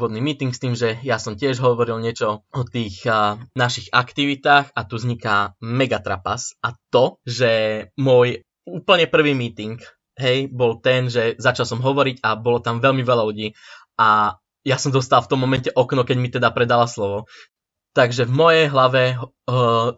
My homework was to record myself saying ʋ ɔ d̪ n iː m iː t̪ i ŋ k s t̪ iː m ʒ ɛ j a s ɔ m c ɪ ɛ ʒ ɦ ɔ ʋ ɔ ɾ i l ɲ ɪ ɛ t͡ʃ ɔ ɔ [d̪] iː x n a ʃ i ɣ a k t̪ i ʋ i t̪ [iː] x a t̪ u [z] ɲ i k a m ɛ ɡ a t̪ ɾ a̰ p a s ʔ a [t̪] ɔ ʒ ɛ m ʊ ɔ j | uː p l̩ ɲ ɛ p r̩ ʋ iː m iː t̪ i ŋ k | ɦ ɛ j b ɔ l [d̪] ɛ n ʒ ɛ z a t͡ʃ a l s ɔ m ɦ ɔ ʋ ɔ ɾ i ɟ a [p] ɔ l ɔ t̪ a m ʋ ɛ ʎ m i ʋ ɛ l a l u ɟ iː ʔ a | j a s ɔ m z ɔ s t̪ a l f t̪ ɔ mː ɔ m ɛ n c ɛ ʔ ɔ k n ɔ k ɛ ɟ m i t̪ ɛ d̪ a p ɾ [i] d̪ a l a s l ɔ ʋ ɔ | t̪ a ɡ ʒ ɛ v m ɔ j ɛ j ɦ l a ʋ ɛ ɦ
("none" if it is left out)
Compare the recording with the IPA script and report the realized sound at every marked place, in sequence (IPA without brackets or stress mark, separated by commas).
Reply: t̪, aː, z, t̪, t̪, b, ɛ